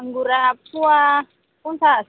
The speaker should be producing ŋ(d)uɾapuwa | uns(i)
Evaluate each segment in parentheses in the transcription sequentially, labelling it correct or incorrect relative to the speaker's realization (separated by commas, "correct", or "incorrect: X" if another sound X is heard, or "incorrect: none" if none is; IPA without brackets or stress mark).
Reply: incorrect: ɡ, incorrect: a